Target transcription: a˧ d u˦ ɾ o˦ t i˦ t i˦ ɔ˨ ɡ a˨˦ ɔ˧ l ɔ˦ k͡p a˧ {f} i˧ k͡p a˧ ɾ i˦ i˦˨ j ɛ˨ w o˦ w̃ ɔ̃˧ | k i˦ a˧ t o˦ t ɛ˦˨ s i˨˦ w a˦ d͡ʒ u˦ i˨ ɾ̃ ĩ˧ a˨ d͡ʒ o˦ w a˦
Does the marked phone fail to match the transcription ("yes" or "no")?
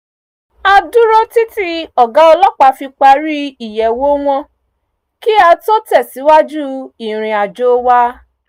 no